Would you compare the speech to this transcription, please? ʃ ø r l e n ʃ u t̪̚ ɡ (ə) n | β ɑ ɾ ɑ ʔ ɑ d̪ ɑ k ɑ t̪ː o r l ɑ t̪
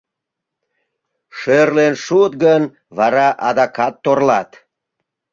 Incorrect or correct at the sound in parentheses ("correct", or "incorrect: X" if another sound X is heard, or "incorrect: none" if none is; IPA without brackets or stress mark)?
correct